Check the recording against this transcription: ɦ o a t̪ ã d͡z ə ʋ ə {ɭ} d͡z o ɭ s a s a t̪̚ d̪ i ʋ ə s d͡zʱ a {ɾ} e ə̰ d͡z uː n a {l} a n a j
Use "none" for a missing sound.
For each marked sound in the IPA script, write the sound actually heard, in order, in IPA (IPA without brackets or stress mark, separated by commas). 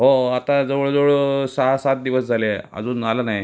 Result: ɭ, l, l